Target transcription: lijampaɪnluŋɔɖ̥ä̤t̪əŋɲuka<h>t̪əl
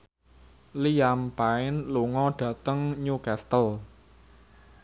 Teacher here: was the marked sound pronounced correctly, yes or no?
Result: no